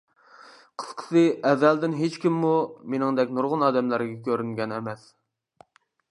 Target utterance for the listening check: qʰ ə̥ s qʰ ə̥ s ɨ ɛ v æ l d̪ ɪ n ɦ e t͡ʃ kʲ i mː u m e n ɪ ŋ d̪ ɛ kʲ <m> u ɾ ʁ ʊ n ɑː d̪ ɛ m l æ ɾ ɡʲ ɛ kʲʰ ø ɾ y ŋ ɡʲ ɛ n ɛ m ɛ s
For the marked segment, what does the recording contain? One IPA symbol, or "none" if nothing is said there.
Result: n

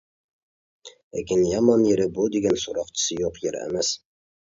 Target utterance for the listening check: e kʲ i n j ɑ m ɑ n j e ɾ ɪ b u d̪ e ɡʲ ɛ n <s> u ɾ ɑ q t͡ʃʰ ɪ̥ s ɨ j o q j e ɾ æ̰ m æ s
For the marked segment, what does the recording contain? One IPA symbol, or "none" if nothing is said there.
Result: s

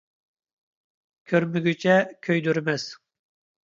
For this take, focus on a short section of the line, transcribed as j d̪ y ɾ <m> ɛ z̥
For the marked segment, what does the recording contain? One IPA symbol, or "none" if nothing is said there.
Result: m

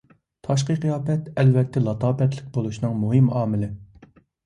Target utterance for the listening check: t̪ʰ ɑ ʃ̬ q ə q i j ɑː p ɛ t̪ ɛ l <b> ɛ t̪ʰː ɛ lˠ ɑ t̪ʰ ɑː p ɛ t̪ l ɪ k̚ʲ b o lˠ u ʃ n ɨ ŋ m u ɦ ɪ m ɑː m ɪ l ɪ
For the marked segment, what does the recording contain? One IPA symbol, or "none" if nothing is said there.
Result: v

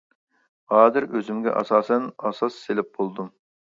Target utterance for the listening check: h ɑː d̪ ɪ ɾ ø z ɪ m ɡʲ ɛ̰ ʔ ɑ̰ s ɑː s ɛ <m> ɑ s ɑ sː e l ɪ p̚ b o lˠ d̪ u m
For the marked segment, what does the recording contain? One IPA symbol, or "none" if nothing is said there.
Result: n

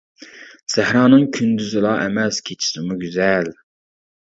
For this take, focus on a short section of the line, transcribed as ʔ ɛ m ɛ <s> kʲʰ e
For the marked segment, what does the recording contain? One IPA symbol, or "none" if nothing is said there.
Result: s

